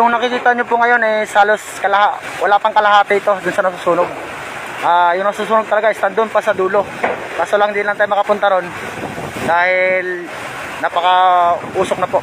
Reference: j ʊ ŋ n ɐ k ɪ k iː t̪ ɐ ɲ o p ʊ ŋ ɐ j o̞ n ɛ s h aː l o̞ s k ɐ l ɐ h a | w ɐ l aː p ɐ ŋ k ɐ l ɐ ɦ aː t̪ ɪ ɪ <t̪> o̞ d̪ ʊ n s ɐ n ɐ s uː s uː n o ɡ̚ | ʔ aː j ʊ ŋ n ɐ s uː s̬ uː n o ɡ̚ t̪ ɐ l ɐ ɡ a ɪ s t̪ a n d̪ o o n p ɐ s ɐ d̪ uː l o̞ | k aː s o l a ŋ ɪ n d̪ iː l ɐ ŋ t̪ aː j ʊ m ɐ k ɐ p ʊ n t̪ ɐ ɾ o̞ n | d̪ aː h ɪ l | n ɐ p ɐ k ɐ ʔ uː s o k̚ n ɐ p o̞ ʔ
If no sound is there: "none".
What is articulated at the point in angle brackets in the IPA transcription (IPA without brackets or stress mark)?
t̪